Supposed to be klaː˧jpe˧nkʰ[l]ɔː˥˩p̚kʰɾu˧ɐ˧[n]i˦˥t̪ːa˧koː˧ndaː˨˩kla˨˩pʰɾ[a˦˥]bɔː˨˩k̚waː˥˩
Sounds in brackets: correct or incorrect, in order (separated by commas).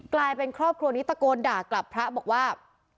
incorrect, correct, correct